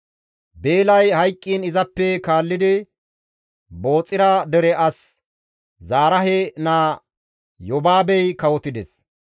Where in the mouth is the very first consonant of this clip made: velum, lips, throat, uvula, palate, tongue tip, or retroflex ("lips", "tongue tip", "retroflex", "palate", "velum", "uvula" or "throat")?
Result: lips